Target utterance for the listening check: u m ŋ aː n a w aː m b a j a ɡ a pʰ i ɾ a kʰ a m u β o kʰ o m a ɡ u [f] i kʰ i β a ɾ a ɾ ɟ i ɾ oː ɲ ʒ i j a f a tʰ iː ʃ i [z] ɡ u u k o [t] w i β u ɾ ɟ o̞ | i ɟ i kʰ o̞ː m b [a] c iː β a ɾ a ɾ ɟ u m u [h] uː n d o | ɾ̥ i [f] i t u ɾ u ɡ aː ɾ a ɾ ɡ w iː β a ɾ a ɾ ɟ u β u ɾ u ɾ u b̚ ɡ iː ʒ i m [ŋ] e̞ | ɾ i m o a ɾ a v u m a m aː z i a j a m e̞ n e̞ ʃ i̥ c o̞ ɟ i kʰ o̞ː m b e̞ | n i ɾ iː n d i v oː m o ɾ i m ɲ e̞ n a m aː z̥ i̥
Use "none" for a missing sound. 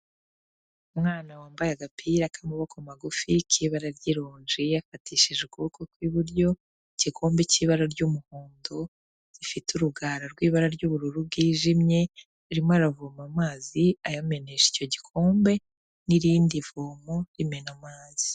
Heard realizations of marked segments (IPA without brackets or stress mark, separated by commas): f, ʒ, k, e, h, f, ɲ